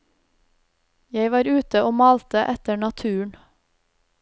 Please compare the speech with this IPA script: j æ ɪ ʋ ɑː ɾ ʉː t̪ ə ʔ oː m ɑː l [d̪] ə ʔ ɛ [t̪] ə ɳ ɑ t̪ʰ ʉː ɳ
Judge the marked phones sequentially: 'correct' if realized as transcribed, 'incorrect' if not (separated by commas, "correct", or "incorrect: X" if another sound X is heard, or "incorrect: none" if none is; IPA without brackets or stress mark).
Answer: incorrect: t̪, correct